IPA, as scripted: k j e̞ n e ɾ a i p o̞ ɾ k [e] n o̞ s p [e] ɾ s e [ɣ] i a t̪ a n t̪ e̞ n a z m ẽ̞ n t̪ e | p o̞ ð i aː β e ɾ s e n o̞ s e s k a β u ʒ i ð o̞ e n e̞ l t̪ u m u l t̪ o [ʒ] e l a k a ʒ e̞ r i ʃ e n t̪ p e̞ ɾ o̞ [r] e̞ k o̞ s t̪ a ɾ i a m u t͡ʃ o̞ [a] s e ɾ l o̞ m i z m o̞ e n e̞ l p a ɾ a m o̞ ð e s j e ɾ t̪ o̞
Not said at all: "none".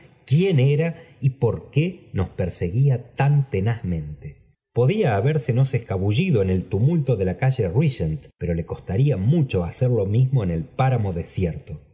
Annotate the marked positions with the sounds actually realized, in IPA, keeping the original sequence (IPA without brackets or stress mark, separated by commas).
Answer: e, e, ɣ, ð, l, a